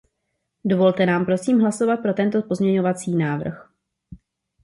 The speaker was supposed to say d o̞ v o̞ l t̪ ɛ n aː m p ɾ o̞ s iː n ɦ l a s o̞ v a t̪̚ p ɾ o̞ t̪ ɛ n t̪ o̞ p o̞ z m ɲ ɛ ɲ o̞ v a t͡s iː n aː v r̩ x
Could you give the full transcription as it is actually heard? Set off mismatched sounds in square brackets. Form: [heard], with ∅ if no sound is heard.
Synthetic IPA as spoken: d o̞ v o̞ l t̪ ɛ n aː m p ɾ o̞ s iː [m] ɦ l a s o̞ v a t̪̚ p ɾ o̞ t̪ ɛ n t̪ o̞ p o̞ z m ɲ ɛ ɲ o̞ v a t͡s iː n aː v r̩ x